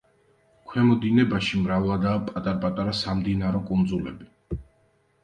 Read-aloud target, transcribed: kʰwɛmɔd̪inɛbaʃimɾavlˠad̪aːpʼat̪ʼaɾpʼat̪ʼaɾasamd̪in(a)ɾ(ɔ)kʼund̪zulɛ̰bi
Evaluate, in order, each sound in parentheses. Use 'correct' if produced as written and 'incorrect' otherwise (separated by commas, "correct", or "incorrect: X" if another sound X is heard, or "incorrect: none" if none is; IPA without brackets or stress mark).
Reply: correct, correct